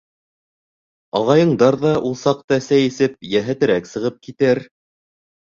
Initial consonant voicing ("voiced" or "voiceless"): voiced